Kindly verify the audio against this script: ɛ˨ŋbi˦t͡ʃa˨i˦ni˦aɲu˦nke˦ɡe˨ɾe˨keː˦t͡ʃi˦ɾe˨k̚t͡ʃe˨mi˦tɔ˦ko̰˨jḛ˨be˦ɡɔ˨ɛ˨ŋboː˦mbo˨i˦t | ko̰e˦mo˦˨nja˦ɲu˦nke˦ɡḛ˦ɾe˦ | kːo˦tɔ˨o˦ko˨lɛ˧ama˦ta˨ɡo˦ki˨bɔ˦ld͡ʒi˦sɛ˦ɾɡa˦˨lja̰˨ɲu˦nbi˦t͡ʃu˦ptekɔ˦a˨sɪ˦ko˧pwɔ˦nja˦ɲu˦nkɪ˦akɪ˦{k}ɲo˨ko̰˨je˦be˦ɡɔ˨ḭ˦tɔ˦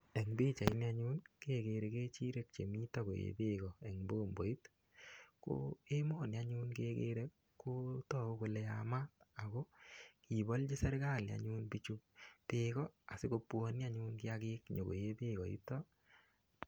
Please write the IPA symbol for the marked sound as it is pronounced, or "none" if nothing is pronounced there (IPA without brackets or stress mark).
k